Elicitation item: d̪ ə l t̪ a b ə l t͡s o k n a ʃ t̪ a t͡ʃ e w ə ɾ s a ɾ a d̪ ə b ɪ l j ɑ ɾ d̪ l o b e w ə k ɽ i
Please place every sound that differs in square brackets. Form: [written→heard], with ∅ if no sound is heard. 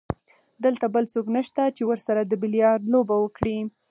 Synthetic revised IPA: d̪ ə l t̪ a b ə l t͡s o k n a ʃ t̪ a t͡ʃ e w ə ɾ s a ɾ a d̪ ə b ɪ l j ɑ ɾ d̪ l o b [e→a] w ə k ɽ i